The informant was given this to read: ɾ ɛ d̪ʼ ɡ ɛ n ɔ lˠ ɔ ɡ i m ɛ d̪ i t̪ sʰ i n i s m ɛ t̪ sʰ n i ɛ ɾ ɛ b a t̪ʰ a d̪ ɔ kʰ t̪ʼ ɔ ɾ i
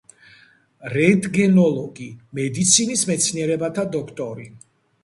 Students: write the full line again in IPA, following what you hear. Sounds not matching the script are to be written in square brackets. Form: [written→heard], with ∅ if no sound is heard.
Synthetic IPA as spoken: ɾ ɛ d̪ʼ ɡ ɛ n ɔ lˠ ɔ ɡ i m ɛ d̪ i t̪ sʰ i n i s m ɛ t̪ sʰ n i ɛ ɾ ɛ b a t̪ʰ a d̪ ɔ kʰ t̪ʼ ɔ ɾ i